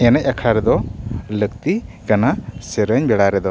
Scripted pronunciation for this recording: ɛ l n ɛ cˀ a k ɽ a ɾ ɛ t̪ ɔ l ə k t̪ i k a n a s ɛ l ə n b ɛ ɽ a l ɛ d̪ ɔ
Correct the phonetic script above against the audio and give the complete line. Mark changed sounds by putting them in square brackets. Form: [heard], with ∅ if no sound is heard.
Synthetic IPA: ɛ [∅] n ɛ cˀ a [kʰ] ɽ a ɾ ɛ [d̪] ɔ l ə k t̪ i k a n a s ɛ [ɾ] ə [ɲ] b ɛ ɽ a [ɾ] ɛ d̪ ɔ